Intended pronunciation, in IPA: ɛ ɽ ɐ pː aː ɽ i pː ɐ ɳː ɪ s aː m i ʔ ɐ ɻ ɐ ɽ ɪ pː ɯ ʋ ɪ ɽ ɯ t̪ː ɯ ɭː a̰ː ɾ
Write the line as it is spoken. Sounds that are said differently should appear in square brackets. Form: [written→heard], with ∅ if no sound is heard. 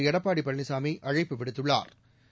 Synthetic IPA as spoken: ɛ ɽ ɐ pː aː ɽ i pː ɐ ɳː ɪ s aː m i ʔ ɐ ɻ ɐ [ɽ→∅] ɪ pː ɯ ʋ ɪ ɽ ɯ t̪ː ɯ ɭː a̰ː ɾ